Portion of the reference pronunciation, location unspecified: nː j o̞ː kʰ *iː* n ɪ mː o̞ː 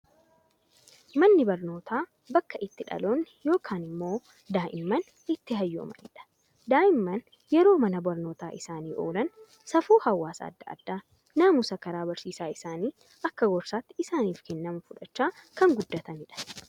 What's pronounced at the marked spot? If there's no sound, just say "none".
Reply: aː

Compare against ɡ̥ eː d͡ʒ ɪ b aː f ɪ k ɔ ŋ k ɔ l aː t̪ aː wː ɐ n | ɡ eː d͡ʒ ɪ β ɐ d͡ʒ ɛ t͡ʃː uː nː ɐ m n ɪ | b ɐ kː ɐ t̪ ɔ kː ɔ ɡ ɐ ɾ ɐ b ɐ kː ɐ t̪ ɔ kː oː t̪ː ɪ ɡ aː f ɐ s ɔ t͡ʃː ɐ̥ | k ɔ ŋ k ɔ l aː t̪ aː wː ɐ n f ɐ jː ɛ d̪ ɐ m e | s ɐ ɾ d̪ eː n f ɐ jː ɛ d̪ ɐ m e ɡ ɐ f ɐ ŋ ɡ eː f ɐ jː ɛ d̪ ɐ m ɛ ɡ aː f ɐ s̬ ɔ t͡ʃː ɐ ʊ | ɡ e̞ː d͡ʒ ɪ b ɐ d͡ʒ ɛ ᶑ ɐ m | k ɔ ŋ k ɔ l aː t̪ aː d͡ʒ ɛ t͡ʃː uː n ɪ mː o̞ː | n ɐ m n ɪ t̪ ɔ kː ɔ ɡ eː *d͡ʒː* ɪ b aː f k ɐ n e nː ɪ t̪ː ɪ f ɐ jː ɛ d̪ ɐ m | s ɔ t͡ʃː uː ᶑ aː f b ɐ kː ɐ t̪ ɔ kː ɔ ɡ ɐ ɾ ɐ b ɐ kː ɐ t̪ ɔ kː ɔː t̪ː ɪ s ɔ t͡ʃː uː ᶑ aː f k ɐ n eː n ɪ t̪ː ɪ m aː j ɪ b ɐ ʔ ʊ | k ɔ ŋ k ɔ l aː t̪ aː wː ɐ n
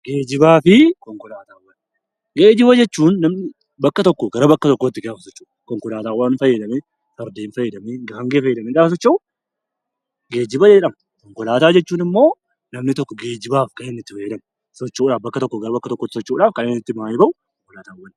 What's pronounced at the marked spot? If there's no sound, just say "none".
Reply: d͡ʒ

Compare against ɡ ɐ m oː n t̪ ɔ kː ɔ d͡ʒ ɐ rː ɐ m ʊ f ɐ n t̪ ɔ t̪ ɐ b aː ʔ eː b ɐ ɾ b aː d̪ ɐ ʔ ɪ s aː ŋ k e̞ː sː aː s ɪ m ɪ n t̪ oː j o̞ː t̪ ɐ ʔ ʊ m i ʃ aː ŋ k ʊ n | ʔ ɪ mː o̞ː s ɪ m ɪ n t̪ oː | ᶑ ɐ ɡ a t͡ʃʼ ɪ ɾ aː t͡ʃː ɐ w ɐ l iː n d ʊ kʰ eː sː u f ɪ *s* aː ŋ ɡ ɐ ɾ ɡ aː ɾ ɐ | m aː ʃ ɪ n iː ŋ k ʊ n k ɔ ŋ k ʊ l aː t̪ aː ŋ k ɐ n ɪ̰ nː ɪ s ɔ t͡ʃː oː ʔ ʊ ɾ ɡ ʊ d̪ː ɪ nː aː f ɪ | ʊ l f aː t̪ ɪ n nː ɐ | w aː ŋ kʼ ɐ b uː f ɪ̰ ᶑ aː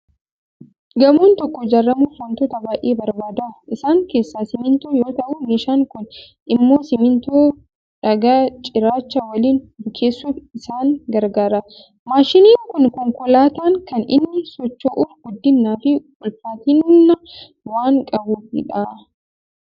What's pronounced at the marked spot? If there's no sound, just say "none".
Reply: s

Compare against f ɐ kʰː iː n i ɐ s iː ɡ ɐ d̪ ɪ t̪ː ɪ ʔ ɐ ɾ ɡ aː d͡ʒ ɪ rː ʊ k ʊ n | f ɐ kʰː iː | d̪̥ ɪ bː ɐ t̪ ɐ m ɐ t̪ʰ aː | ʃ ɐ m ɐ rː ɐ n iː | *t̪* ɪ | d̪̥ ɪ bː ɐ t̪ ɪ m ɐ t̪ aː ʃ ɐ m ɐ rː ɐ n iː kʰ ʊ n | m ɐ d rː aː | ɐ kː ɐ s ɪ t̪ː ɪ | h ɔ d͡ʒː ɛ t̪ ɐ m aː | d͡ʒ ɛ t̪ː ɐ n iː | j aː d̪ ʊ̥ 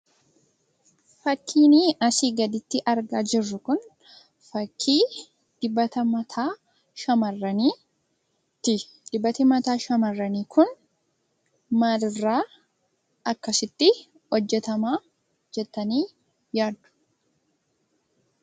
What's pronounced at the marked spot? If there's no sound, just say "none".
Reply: t̪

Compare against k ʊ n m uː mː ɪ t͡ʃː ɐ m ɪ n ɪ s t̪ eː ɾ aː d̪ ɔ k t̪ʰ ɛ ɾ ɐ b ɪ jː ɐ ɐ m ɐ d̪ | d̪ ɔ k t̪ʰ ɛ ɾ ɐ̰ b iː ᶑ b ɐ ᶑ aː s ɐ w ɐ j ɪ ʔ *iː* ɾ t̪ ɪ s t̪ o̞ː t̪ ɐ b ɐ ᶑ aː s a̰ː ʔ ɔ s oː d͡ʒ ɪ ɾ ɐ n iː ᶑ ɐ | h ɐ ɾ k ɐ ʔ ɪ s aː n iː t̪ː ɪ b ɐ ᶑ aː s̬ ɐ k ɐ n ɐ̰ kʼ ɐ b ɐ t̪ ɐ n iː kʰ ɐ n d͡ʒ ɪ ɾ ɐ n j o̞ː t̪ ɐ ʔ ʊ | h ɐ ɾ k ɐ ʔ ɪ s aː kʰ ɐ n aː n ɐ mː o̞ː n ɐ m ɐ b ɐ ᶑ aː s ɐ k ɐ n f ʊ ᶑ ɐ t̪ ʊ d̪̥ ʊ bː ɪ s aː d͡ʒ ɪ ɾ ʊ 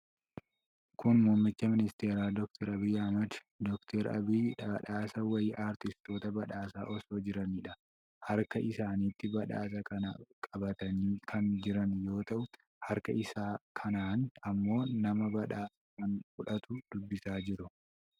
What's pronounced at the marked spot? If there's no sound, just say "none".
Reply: aː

